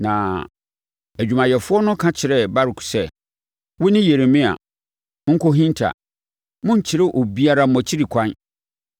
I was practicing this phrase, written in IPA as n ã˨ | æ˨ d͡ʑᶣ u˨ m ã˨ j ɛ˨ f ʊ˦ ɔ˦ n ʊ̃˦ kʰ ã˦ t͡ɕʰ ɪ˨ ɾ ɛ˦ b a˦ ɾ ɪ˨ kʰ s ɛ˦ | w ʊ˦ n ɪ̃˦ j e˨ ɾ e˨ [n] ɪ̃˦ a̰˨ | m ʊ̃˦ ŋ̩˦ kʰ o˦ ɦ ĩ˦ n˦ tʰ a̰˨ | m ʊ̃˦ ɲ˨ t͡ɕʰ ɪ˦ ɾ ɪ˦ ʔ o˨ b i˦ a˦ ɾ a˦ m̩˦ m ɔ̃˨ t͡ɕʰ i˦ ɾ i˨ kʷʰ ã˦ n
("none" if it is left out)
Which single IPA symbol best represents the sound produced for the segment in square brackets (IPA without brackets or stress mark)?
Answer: m